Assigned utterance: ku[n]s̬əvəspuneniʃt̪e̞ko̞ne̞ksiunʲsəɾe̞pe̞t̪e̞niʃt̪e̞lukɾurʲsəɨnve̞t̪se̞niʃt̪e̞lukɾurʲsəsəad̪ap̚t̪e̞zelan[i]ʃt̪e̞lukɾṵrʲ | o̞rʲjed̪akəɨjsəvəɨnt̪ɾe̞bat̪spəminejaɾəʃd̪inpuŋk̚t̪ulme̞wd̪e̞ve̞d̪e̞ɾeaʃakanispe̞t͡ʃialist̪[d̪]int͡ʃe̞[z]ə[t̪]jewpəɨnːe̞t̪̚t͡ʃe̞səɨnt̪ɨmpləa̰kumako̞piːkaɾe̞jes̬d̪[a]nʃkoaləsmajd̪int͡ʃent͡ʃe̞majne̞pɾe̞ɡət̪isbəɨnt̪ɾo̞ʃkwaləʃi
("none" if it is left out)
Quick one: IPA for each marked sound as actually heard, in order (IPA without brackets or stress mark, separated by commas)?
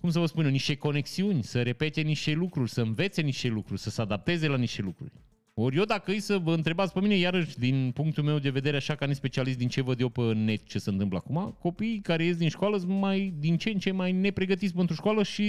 m, i, d̪, v, d̪, i